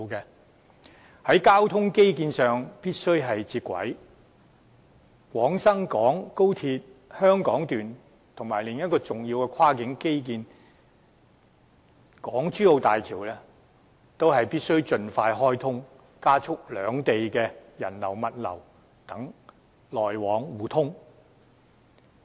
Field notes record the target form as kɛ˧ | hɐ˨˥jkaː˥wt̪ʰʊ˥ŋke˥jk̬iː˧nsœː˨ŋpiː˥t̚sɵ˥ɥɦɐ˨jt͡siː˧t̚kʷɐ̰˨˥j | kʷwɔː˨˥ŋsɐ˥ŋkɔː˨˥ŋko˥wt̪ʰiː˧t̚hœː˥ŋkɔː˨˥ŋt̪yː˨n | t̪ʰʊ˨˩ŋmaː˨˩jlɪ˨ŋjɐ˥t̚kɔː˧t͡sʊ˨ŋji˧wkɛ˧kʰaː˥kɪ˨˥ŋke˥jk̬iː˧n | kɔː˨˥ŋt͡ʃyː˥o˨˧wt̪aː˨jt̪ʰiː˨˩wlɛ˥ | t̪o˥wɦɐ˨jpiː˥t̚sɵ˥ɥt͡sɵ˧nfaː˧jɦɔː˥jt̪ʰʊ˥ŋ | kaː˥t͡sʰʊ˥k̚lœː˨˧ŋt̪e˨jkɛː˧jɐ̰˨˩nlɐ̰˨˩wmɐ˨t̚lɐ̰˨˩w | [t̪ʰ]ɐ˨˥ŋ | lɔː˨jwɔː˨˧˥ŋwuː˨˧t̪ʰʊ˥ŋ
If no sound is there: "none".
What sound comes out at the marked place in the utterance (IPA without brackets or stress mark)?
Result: t̪